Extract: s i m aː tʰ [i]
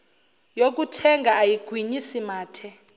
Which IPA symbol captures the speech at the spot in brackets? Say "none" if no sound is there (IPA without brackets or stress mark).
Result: ɛ